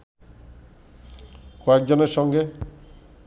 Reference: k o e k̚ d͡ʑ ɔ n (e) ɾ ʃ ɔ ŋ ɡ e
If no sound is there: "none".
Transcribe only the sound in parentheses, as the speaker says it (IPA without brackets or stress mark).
e